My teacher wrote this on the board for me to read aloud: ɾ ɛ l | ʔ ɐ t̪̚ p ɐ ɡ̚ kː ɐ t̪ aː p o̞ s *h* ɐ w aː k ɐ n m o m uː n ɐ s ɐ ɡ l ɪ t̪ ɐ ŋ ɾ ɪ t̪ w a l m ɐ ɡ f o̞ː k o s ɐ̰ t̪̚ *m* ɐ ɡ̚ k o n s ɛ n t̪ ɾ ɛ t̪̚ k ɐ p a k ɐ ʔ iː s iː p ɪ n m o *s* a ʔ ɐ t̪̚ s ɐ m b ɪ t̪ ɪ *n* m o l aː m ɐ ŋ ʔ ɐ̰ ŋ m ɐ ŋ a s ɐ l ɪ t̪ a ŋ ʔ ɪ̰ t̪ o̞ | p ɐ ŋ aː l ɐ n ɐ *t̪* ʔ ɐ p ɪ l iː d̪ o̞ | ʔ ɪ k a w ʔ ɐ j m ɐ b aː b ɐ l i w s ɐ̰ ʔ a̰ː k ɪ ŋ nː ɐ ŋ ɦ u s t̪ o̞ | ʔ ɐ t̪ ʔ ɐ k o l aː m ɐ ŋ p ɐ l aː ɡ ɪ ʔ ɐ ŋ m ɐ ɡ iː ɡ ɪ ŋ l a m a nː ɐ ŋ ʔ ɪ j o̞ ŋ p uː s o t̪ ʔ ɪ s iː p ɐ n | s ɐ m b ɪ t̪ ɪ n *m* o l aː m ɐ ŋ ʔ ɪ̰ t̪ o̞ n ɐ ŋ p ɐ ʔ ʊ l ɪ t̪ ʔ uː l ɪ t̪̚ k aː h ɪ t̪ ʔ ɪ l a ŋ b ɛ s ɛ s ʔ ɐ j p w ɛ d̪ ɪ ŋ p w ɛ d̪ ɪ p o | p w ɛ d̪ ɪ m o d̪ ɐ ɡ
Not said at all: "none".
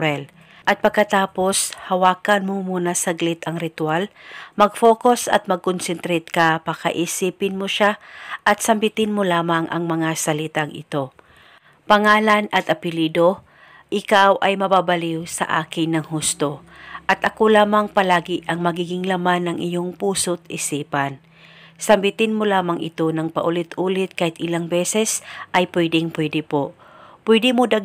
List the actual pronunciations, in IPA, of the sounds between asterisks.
h, m, ʃ, n, t̪, m

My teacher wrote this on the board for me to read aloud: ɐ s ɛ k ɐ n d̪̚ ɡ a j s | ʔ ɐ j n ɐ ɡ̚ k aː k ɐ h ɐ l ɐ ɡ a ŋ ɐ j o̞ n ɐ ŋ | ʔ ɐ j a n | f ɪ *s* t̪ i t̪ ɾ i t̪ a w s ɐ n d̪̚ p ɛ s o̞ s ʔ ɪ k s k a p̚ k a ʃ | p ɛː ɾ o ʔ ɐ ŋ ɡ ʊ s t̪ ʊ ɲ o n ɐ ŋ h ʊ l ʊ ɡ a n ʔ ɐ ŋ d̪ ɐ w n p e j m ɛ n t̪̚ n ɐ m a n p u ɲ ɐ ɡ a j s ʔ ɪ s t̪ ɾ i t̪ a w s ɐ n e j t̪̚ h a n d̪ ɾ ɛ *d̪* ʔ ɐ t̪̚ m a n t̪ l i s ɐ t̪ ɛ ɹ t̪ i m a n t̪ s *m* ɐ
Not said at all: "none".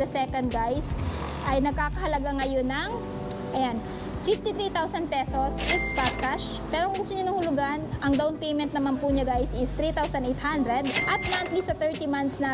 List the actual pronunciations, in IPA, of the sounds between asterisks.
f, d̪, n

